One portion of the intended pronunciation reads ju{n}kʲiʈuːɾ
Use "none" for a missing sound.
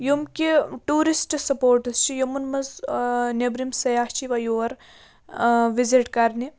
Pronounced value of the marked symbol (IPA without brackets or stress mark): m